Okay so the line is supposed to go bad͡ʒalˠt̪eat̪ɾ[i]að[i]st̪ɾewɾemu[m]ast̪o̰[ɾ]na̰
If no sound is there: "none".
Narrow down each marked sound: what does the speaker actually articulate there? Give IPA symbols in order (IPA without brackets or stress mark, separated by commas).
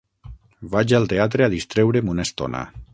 e, i, n, none